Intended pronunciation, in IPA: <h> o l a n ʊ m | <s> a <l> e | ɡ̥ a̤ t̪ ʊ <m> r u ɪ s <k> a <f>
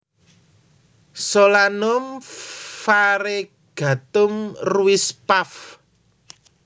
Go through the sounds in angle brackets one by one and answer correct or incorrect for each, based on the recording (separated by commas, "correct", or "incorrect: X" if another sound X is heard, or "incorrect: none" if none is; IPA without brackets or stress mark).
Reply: incorrect: s, incorrect: f, incorrect: ɾ, correct, incorrect: p, correct